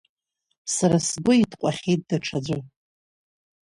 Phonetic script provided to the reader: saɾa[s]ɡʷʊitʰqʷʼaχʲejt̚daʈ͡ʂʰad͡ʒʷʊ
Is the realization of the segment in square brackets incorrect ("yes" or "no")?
no